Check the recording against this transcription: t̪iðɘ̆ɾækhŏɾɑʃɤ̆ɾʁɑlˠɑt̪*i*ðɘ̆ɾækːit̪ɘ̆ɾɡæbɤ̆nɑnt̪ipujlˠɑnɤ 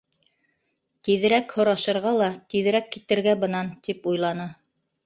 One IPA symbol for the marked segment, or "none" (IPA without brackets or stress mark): i